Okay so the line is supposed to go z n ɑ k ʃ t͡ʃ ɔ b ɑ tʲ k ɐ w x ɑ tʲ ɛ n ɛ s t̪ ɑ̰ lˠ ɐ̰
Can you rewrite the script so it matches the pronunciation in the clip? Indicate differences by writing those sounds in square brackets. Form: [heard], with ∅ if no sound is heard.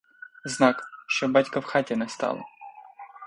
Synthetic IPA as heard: z n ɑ k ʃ t͡ʃ ɔ b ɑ tʲ k ɐ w x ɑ tʲ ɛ n ɛ s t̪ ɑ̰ lˠ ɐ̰